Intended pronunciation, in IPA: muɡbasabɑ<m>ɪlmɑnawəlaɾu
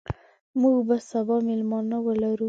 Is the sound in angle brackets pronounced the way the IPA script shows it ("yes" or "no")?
yes